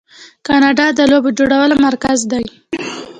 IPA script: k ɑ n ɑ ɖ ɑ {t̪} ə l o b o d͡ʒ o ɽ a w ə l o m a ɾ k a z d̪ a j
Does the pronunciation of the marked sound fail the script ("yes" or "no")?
yes